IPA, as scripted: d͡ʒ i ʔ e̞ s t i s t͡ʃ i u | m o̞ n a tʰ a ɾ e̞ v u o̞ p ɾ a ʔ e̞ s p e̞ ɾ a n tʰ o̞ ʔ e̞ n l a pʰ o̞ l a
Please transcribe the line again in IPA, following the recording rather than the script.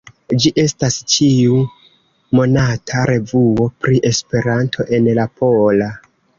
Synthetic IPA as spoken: d͡ʒ i ʔ e̞ s t a s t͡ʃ i u | m o̞ n a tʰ a ɾ e̞ v u o̞ p ɾ i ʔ e̞ s p e̞ ɾ a n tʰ o̞ ʔ e̞ n l a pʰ o̞ l a